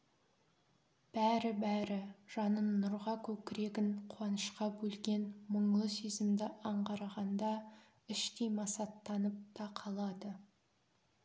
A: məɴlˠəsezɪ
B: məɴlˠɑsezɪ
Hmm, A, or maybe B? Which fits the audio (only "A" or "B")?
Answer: A